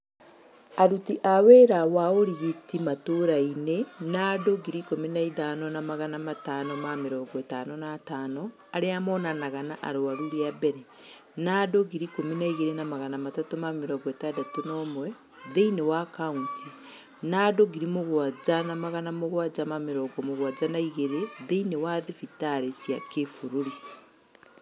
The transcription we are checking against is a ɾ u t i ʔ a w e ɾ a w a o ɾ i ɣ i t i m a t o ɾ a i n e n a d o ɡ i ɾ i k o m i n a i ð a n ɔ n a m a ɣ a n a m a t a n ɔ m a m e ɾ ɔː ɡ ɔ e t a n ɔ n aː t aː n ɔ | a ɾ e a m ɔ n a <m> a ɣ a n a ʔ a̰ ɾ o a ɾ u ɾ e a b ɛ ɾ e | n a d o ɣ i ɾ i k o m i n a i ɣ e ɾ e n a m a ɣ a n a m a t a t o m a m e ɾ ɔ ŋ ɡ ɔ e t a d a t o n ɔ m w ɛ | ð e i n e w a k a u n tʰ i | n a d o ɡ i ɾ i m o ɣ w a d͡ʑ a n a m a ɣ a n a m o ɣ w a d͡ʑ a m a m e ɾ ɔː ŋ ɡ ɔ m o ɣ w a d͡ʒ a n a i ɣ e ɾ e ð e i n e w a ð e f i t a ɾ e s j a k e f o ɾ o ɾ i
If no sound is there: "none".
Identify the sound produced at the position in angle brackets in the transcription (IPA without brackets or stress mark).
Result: n